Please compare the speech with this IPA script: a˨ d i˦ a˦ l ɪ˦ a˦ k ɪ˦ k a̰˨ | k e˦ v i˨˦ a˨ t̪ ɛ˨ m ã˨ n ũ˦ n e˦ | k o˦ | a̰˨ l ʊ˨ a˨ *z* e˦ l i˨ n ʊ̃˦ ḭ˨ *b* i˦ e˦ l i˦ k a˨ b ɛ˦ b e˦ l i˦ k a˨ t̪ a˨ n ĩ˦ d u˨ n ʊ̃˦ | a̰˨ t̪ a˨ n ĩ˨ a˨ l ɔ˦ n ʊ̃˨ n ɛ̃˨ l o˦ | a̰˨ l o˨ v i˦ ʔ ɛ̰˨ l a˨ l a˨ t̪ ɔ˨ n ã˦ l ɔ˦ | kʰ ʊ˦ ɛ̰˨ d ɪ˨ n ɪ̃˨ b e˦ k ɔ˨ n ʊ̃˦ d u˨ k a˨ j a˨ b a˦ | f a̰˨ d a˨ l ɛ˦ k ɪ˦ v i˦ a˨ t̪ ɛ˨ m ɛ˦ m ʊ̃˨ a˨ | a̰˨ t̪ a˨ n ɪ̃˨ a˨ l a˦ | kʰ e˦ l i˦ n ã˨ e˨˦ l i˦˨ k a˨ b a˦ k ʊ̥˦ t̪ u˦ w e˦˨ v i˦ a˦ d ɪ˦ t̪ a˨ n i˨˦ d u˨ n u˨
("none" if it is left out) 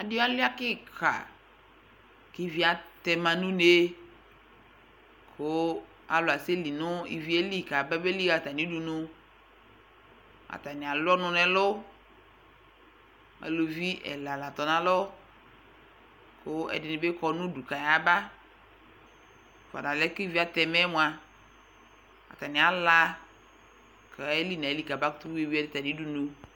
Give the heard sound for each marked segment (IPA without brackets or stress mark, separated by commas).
s, v